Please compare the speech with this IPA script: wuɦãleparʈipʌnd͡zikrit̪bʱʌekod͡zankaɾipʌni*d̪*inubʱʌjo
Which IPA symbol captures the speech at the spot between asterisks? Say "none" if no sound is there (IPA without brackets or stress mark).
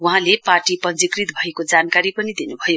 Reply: d̪